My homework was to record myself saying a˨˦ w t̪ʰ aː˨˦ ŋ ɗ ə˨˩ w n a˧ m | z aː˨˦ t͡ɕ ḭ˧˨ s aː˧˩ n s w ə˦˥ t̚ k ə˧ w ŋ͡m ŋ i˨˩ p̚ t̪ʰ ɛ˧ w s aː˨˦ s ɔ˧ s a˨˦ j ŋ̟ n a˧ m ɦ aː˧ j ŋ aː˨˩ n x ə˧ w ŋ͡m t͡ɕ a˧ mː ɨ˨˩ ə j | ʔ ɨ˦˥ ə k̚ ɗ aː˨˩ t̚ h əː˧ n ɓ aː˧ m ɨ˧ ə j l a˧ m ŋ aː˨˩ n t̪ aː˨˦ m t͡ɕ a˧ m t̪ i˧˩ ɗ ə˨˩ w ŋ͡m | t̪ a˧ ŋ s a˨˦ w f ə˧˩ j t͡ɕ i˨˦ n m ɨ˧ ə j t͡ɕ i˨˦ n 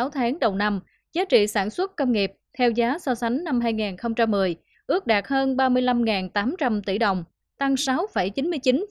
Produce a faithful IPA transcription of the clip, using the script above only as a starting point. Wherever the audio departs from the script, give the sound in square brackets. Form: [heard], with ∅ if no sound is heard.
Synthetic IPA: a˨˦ w t̪ʰ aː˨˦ ŋ ɗ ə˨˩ w n a˧ m | z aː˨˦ t͡ɕ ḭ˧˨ s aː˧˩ n s w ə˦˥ t̚ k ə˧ w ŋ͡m ŋ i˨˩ p̚ t̪ʰ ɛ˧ w [z] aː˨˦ s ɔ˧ s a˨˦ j ŋ̟ n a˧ m ɦ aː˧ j ŋ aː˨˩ n x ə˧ w ŋ͡m t͡ɕ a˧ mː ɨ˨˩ ə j | ʔ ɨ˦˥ ə k̚ ɗ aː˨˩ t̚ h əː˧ n ɓ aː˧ m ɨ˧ ə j l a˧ m ŋ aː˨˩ n t̪ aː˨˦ m t͡ɕ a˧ m t̪ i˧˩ ɗ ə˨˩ w ŋ͡m | t̪ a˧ ŋ s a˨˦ w f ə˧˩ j t͡ɕ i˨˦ n m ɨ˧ ə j t͡ɕ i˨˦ n